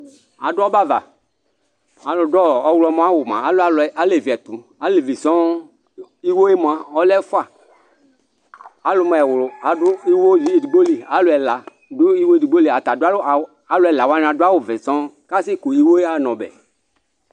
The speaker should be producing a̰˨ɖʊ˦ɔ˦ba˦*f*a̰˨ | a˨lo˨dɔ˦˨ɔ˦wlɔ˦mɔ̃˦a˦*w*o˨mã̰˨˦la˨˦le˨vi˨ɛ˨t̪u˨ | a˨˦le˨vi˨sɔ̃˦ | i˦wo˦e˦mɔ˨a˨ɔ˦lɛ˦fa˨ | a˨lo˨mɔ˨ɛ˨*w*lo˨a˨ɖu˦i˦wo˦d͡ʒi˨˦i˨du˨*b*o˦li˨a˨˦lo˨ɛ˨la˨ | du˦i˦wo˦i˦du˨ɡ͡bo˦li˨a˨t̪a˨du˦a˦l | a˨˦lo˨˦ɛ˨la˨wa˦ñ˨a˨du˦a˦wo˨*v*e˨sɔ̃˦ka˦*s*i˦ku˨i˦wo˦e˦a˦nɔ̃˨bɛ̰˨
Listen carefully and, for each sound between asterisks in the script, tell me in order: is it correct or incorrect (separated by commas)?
incorrect, correct, correct, incorrect, correct, correct